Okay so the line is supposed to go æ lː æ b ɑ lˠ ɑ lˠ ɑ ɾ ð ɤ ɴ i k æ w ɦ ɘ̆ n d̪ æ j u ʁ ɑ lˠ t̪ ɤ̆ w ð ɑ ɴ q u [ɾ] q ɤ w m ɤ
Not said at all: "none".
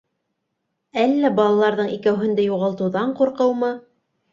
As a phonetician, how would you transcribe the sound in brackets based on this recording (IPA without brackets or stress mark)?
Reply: ɾ